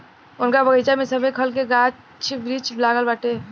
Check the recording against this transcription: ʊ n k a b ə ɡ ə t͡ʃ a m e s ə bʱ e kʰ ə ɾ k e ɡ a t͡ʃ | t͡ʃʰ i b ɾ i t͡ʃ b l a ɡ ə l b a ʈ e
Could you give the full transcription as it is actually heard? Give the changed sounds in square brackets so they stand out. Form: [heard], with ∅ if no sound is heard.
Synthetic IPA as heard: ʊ n k a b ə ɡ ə t͡ʃ a m e s ə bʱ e kʰ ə [l] k e ɡ a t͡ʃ | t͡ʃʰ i b ɾ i t͡ʃ b l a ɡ ə l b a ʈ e